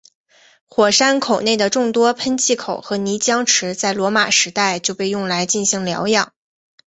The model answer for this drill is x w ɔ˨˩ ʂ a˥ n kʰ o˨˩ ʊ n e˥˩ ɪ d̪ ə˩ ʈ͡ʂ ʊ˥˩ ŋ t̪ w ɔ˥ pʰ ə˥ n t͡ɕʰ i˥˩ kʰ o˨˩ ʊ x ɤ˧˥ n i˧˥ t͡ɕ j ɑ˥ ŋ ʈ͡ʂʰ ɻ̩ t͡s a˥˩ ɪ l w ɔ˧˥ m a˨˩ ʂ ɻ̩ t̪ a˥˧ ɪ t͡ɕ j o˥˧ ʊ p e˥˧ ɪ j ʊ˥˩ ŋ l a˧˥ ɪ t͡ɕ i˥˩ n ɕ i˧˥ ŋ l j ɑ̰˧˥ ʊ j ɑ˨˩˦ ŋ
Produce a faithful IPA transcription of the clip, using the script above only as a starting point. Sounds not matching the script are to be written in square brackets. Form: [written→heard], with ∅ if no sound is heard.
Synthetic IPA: x w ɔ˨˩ ʂ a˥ n kʰ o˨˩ ʊ n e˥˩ ɪ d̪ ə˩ ʈ͡ʂ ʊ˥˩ ŋ t̪ w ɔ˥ pʰ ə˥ n t͡ɕʰ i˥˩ kʰ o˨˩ ʊ x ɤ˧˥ n i˧˥ t͡ɕ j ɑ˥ ŋ ʈ͡ʂʰ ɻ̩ t͡s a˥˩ ɪ l w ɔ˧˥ m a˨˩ ʂ ɻ̩ t̪ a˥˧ ɪ t͡ɕ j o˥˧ ʊ p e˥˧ ɪ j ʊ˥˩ ŋ l a˧˥ ɪ t͡ɕ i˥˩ n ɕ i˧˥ ŋ l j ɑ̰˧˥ ʊ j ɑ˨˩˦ ŋ